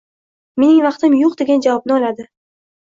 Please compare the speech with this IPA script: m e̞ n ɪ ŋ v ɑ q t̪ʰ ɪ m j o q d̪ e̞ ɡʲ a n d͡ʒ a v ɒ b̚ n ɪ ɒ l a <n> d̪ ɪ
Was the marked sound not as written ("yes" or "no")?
yes